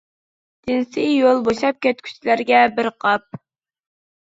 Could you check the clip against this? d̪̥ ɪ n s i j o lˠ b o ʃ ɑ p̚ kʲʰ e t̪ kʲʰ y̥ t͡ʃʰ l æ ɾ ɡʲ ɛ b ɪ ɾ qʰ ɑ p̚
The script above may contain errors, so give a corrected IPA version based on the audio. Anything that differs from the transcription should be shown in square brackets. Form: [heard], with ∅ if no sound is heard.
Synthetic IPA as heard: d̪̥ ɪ n s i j o lˠ b o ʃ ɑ p̚ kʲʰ [ɛ] t̪ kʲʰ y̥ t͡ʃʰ l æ ɾ ɡʲ ɛ b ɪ ɾ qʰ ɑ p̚